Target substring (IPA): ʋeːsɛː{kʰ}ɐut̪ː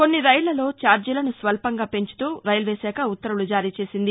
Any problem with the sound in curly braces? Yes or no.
yes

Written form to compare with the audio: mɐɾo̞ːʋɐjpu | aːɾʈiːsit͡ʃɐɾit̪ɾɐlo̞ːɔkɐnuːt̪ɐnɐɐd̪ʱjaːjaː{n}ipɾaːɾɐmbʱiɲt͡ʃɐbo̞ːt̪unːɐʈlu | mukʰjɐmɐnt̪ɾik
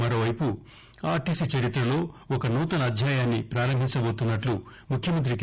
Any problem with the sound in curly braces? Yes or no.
yes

